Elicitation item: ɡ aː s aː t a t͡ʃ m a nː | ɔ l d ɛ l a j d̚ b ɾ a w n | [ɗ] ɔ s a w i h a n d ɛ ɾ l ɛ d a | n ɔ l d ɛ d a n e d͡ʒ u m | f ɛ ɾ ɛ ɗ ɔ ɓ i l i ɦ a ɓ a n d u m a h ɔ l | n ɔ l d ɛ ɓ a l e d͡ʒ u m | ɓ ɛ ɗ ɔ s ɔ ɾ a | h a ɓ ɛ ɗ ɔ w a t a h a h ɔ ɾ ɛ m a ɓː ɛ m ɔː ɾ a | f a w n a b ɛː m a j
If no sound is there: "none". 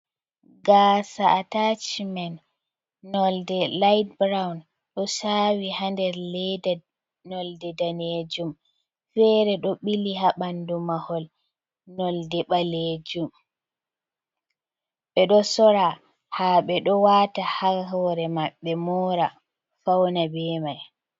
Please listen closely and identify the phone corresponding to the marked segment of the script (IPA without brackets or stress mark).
ɗ